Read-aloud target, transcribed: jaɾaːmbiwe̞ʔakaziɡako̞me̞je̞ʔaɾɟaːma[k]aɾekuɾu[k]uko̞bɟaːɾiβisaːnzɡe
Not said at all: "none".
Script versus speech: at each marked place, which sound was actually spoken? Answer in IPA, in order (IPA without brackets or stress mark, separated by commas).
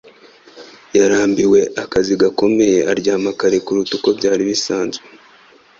k, t